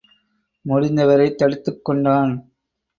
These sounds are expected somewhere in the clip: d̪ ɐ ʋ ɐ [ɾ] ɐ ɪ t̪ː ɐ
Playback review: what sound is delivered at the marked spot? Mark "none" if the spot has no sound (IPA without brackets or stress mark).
ɾ